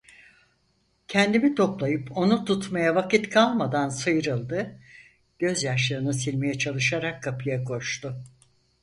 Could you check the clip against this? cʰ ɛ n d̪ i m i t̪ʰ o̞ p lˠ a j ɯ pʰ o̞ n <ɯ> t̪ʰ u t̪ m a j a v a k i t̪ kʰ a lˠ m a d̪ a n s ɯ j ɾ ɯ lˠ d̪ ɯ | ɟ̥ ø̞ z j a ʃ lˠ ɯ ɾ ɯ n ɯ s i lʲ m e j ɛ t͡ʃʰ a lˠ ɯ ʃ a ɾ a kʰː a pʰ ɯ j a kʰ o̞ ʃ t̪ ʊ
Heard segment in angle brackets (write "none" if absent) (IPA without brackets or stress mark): u